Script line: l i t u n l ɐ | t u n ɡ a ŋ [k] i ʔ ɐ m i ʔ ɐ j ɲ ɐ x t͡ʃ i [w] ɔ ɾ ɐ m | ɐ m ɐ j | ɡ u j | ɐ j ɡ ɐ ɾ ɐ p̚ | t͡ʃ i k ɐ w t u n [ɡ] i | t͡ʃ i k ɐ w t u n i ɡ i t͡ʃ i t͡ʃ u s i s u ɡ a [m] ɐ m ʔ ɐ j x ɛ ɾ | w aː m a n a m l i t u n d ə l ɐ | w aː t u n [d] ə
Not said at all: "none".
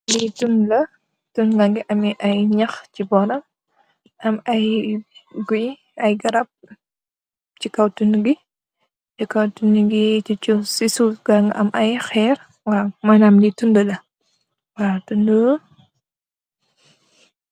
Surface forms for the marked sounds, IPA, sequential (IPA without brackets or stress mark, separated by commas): ɡ, b, ɡ, ŋ, d